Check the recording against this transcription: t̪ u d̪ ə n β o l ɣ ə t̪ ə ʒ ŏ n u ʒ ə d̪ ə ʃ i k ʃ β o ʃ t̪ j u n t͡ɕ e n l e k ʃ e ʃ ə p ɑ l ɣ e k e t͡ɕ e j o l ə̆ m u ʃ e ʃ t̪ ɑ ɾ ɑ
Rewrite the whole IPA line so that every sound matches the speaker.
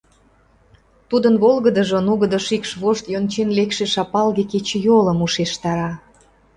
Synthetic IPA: t̪ u d̪ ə n β o l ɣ ə d̪ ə ʒ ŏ n u ɣ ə d̪ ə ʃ i k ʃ β o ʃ t̪ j o n t͡ɕ e n l e k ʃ e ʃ ɑ p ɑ l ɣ e k e t͡ɕ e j o l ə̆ m u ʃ e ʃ t̪ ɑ ɾ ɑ